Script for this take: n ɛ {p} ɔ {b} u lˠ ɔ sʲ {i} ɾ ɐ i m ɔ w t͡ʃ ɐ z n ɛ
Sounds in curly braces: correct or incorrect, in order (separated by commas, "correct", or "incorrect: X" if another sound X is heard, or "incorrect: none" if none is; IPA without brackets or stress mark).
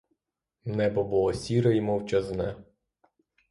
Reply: incorrect: b, correct, correct